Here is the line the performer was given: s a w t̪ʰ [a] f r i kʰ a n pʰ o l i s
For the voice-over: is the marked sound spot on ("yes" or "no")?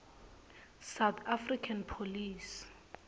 yes